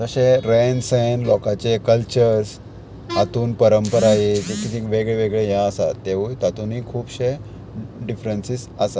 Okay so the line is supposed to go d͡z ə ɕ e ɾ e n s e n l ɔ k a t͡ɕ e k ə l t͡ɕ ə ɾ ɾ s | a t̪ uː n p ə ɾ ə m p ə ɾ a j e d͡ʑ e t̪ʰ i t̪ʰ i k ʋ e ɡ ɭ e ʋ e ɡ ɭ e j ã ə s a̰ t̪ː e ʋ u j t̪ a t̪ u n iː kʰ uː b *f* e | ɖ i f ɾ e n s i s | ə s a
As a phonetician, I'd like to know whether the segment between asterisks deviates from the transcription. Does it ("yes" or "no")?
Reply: yes